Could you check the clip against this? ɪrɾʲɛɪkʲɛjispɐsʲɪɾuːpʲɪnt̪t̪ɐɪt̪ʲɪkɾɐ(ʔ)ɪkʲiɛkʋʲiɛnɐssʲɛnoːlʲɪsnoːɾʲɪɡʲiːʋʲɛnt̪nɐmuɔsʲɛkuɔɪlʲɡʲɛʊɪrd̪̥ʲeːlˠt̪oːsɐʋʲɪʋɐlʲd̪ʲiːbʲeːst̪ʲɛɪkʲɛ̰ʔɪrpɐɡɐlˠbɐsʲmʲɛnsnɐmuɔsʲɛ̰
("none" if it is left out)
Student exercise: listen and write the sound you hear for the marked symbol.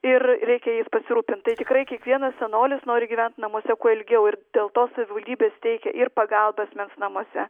none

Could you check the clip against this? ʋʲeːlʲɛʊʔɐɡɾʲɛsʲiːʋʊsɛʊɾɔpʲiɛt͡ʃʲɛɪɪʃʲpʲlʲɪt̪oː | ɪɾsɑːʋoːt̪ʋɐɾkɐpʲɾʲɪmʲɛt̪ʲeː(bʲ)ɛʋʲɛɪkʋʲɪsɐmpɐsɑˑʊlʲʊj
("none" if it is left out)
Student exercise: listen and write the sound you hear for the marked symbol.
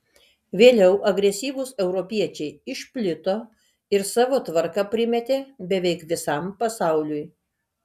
bʲ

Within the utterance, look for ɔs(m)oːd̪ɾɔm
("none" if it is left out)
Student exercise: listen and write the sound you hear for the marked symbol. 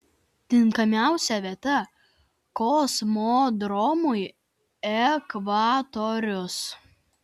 m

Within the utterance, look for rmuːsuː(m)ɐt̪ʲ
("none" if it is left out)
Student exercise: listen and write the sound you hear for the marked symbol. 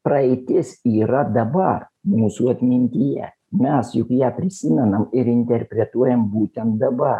none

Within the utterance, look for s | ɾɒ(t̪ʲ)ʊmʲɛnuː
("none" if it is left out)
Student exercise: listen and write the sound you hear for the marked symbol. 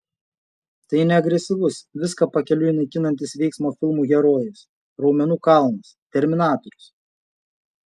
none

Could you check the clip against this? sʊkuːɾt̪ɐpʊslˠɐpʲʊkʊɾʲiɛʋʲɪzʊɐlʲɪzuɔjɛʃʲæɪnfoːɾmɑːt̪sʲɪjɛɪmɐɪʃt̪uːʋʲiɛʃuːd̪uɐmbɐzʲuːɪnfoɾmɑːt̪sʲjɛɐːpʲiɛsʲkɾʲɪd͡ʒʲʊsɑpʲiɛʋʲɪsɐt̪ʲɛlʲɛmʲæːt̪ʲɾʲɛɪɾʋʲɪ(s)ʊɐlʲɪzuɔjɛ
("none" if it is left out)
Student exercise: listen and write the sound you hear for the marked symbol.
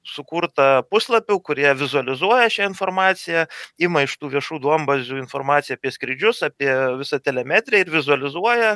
z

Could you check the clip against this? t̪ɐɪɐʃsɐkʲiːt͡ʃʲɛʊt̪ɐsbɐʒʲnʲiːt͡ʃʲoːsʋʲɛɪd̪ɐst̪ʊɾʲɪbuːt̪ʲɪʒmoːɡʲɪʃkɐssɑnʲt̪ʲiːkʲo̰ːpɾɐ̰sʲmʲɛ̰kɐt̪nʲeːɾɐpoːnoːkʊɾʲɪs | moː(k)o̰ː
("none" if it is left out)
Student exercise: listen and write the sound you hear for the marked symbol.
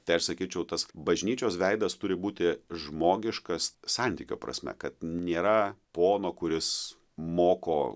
k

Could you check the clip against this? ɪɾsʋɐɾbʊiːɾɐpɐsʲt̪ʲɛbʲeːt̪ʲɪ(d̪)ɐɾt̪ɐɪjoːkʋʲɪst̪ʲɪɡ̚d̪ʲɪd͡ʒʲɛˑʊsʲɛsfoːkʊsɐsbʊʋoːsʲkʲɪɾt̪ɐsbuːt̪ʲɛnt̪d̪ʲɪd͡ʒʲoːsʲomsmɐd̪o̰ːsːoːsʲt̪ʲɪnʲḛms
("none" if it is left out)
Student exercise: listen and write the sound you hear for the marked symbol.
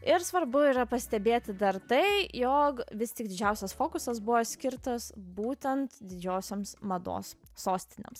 d̪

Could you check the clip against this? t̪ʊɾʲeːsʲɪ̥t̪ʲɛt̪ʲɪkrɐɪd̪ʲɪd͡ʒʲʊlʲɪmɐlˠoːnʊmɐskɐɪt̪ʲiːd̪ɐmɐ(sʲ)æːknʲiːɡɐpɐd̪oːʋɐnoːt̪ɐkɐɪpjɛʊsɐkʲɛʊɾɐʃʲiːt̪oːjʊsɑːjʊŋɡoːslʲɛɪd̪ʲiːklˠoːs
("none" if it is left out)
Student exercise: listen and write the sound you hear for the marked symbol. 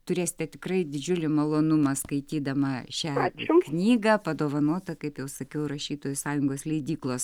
ʃʲ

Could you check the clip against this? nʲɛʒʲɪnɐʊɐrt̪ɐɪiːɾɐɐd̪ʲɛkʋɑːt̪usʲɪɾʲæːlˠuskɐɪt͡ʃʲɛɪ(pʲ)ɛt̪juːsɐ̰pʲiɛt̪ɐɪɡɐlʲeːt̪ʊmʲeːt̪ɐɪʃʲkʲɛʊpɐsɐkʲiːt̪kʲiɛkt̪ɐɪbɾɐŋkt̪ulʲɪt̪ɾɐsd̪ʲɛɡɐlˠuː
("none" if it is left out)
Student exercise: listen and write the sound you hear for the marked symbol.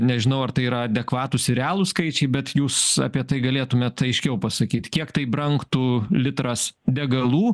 bʲ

